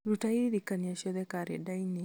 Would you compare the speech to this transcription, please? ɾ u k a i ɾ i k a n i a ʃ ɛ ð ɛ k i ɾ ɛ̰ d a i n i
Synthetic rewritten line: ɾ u t a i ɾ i k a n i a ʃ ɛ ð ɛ k a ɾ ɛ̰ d a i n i